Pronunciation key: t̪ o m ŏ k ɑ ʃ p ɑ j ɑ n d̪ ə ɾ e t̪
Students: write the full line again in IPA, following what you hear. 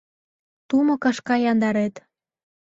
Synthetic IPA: t̪ u m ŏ k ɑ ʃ k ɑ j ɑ n d̪ ɑ ɾ e t̪